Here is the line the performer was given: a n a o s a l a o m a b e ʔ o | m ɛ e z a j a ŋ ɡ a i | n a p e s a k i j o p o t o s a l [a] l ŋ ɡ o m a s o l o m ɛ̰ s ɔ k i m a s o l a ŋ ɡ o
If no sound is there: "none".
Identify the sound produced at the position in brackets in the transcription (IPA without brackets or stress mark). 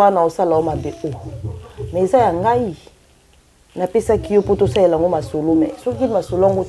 e